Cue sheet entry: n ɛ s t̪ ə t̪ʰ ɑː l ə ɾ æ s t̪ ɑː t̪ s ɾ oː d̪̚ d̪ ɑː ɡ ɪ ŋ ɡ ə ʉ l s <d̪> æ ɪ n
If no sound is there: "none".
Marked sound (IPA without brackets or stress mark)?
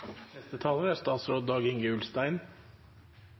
t̪